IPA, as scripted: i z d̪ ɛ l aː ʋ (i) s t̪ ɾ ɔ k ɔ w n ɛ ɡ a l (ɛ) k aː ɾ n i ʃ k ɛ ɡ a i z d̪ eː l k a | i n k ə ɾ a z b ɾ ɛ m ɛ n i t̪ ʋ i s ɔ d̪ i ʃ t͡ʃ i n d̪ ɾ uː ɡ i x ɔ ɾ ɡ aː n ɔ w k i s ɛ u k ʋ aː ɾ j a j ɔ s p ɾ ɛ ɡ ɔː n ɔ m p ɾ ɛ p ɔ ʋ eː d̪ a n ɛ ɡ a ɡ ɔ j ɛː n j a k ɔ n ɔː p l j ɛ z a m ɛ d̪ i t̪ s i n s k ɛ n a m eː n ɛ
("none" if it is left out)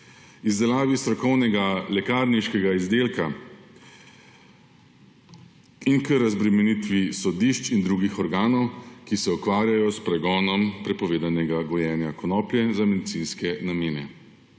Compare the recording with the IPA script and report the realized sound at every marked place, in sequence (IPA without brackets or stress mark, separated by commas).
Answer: i, ɛ